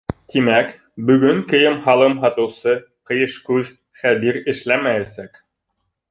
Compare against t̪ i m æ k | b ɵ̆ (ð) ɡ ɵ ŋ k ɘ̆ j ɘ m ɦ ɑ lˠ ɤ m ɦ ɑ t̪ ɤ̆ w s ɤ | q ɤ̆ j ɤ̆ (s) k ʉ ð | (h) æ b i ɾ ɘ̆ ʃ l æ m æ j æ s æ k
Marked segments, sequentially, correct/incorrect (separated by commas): incorrect, incorrect, incorrect